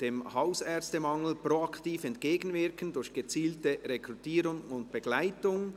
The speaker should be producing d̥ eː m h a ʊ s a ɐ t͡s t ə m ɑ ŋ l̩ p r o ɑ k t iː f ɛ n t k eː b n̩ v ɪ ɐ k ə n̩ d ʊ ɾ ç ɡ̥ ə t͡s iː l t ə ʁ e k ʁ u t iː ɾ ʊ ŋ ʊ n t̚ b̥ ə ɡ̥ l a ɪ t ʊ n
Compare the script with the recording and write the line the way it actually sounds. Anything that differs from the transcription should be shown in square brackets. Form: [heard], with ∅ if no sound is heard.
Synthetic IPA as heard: d̥ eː m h a ʊ s [ɛ] ɐ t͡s t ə m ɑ ŋ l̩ p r o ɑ k t iː f ɛ n t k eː [ɡ] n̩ v ɪ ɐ k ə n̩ d ʊ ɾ ç ɡ̥ ə t͡s iː l t ə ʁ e k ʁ u t iː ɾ ʊ ŋ ʊ n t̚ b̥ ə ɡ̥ l a ɪ t ʊ [ŋ]